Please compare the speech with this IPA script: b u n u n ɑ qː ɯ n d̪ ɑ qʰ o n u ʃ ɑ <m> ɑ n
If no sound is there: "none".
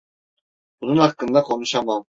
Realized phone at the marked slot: m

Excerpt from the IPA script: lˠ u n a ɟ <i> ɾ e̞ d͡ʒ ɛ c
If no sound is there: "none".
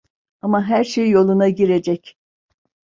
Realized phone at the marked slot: i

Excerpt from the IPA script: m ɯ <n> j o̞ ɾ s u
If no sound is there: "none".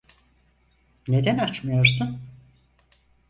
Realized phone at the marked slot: none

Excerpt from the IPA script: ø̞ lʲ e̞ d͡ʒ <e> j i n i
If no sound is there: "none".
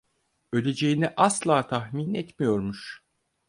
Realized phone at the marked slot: e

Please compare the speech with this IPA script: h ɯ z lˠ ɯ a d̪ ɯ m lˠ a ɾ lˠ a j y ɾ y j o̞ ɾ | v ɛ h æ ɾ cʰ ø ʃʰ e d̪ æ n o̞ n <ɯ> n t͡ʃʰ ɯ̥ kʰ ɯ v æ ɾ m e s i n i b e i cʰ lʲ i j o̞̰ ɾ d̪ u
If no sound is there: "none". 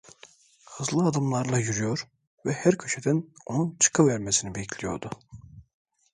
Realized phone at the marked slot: u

